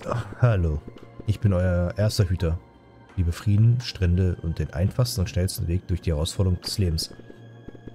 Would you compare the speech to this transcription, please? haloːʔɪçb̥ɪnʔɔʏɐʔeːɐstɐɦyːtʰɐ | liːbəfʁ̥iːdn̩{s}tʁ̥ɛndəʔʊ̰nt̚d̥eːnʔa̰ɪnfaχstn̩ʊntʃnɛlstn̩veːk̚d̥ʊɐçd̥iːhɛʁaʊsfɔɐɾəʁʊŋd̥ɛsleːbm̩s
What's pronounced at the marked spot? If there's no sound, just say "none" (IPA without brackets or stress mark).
ʃ